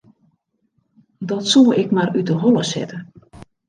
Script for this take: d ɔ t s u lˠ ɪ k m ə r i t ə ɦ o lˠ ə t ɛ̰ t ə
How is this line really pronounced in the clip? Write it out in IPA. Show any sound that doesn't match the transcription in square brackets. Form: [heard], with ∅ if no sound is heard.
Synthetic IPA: d ɔ t s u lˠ ɪ k m [a] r [y] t ə ɦ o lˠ ə [s] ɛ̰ t ə